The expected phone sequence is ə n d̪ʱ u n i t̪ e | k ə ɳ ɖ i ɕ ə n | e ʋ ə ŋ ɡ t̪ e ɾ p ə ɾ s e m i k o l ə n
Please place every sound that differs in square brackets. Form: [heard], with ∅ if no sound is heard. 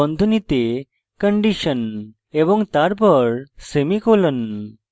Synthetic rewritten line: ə n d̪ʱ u n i t̪ e | k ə ɳ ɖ i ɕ ə n | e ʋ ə ŋ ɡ t̪ [a] ɾ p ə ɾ s e m i k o l ə n